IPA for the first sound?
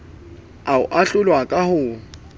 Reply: a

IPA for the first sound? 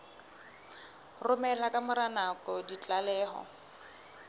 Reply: r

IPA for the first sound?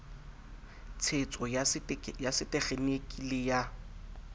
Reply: t͡sʰ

